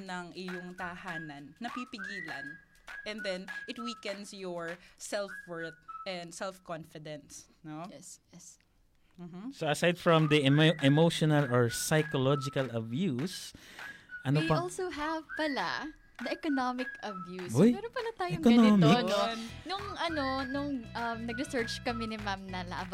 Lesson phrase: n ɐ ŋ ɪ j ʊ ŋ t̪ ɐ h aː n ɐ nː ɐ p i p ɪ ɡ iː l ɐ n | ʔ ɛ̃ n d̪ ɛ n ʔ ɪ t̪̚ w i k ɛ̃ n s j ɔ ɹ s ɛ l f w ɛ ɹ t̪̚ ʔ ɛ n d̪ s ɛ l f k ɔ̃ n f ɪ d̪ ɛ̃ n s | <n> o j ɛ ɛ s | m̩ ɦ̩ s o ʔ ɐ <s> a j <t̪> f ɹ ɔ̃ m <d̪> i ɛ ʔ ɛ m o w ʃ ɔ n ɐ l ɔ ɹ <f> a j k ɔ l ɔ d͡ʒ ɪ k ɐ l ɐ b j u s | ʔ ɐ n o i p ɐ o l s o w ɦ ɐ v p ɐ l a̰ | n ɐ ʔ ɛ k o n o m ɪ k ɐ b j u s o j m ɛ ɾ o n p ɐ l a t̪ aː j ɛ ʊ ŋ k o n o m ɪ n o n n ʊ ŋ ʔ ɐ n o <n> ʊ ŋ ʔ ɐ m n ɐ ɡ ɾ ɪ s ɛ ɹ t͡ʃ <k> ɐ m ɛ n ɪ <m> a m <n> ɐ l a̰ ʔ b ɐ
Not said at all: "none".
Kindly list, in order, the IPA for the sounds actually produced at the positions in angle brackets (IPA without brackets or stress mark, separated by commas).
n, s, d̪, d̪, s, n, k, m, n